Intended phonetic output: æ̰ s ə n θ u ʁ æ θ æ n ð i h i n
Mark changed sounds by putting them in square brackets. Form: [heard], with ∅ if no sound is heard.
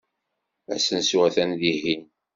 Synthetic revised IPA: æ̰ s ə n [s] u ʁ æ θ æ n ð i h i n